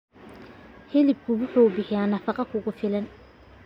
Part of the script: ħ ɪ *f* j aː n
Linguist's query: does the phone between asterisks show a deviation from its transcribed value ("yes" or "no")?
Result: yes